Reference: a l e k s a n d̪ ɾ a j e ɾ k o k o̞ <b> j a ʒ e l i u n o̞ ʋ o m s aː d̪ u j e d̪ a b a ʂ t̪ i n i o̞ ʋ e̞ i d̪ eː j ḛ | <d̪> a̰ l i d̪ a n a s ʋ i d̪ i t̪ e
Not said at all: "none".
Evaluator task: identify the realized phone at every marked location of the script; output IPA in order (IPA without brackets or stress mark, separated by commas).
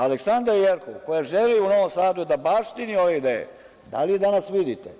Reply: none, d̪